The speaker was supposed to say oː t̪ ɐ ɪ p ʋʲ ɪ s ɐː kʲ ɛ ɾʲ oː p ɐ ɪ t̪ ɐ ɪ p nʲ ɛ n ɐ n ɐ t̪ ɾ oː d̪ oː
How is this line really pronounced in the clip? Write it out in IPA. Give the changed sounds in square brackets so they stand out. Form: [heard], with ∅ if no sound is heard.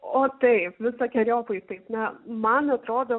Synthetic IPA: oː t̪ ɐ ɪ p ʋʲ ɪ s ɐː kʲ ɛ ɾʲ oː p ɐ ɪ t̪ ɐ ɪ p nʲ ɛ [m] ɐ n ɐ t̪ ɾ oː d̪ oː